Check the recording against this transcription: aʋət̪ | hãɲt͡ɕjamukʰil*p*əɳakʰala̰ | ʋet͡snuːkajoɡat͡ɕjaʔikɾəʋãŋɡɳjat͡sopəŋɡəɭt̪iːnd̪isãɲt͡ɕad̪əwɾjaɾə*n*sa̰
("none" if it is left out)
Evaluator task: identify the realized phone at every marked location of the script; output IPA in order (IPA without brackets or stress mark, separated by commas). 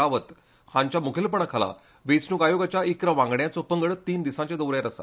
p, none